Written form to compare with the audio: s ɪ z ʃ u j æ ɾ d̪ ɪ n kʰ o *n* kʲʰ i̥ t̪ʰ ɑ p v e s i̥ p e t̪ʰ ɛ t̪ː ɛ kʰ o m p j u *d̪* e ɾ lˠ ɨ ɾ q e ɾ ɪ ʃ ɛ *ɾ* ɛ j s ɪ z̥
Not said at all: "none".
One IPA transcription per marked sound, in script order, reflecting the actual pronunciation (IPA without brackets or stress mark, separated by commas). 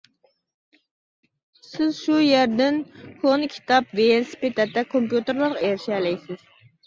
n, t̪, l